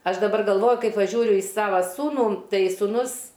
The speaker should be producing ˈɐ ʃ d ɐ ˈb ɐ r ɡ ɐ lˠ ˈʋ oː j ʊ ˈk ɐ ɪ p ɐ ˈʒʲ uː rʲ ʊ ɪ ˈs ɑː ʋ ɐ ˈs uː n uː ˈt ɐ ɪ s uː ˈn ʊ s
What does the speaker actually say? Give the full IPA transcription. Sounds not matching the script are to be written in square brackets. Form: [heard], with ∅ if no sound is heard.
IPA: ˈɐ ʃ d ɐ ˈb ɐ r ɡ ɐ lˠ ˈʋ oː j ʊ ˈk ɐ ɪ p ɐ ˈʒʲ uː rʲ ʊ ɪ ˈs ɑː ʋ ɐ ˈs uː n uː ˈt ɐ ɪ s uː ˈn ʊ s